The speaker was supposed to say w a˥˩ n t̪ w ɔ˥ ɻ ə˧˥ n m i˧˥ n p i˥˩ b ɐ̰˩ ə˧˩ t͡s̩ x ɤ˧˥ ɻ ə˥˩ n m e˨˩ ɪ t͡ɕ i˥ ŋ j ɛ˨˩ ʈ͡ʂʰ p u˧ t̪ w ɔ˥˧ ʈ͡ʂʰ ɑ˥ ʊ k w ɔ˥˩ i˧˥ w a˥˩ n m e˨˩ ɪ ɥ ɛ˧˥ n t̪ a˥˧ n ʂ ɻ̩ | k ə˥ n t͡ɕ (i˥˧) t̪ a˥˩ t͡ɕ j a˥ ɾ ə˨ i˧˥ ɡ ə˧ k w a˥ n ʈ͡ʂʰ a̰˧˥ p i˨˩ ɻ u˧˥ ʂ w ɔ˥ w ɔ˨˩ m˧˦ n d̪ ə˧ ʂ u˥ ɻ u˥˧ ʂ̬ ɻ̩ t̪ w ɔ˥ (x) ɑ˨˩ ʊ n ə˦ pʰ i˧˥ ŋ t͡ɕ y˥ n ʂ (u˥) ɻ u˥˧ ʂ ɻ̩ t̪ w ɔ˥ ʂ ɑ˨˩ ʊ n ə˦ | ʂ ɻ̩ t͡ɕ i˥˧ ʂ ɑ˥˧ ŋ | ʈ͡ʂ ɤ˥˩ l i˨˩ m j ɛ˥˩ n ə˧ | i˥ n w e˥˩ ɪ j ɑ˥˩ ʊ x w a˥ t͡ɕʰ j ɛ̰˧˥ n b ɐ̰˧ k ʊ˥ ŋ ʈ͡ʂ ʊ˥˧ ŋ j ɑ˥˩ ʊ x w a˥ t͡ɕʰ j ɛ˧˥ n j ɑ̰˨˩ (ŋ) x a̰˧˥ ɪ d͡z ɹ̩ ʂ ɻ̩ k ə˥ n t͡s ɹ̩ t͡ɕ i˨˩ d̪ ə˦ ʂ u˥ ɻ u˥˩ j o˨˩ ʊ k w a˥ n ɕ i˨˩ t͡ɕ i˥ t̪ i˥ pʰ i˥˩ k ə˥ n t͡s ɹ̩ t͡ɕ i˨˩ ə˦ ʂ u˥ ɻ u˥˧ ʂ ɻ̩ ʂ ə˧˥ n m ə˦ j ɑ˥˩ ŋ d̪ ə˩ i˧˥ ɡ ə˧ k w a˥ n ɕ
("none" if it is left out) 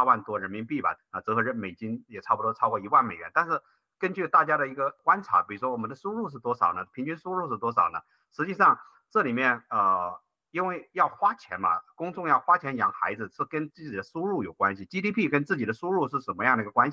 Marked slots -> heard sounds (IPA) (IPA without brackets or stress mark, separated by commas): y˥˧, ʂ, u˥, ŋ